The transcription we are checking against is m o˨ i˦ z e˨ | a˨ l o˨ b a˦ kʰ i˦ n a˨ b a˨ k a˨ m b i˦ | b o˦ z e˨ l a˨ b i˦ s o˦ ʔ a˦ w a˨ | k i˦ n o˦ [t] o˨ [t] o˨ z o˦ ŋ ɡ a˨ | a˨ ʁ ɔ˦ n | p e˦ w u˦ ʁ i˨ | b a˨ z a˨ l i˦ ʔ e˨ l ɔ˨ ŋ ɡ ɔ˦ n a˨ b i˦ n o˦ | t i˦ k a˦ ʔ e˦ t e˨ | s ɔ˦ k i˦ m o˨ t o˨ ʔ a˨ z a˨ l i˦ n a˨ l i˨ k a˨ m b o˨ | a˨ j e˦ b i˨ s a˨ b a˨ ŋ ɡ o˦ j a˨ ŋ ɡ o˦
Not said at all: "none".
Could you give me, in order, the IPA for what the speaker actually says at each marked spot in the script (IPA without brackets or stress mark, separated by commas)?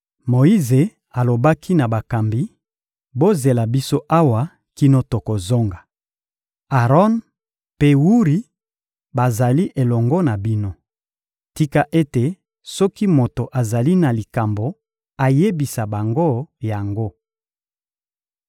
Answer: t, k